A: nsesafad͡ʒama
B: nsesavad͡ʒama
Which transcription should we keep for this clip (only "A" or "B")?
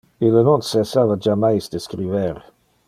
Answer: B